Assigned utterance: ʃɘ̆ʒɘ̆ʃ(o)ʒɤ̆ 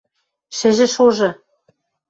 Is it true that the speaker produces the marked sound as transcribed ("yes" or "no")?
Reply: yes